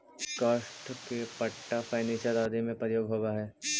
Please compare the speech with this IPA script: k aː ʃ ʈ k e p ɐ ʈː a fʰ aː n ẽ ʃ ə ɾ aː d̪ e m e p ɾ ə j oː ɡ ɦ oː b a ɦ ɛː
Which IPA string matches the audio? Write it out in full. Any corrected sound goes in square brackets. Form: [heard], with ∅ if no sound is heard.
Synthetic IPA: k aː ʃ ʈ k e p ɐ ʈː a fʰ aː n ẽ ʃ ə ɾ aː d̪ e m [ẽ] p ɾ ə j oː ɡ ɦ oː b a ɦ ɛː

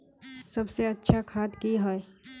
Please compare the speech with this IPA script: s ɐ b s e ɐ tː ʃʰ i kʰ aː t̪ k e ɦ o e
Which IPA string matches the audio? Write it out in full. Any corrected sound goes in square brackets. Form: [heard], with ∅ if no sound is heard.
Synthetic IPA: s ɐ b s e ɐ tː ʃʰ [a] kʰ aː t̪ k [i] ɦ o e

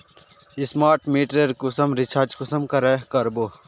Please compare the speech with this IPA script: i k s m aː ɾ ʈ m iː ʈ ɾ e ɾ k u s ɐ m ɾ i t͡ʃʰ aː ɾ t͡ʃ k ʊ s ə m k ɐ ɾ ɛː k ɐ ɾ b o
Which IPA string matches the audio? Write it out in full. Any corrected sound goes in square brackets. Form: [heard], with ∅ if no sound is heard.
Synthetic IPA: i [∅] s m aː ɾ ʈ m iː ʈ ɾ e ɾ k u s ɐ m ɾ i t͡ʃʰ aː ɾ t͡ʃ k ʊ s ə m k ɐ ɾ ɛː k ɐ ɾ b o

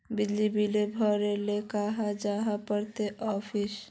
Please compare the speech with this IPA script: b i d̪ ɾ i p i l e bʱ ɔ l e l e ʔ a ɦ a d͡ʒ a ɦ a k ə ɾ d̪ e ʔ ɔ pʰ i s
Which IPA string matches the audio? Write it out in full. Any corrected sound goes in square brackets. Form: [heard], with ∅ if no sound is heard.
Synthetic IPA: b i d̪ [l] i [b] i l e bʱ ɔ [ɾ] e l e [k] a ɦ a d͡ʒ a ɦ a [p] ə ɾ [t̪] e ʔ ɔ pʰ i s

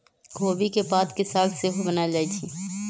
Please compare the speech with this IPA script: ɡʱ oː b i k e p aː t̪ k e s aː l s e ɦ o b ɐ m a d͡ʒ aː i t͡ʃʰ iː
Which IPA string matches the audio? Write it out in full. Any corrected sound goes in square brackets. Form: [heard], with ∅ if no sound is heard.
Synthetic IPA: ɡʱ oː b i k e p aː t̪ k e s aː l s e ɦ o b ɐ [n] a d͡ʒ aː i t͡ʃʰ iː

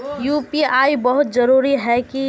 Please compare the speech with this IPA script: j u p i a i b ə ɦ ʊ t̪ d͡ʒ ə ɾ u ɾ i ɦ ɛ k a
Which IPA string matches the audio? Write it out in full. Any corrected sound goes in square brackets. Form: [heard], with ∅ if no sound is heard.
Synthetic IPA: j u p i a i b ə ɦ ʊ t̪ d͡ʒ ə ɾ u ɾ i ɦ ɛ k [i]

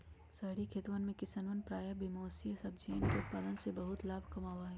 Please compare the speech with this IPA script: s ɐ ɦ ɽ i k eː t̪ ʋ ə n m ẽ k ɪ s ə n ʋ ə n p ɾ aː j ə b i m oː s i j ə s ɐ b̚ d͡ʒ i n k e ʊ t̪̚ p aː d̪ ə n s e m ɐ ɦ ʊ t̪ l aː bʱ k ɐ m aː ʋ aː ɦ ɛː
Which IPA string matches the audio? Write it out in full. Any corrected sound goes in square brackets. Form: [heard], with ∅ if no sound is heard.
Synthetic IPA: s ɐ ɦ ɽ i [kʰ] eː t̪ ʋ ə n m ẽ k ɪ s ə n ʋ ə n p ɾ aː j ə b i m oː s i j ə s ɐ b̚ d͡ʒ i n k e ʊ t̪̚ p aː d̪ ə n s e [b] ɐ ɦ ʊ t̪ l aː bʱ k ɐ m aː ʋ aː ɦ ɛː

